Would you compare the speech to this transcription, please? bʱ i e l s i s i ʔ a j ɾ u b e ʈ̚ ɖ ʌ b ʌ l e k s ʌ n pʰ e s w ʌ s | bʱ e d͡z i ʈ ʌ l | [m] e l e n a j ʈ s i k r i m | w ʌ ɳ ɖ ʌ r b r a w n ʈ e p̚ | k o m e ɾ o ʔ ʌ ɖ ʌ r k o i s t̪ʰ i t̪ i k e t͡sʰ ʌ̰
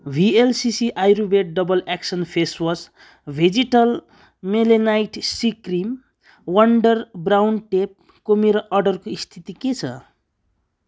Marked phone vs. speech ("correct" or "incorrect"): correct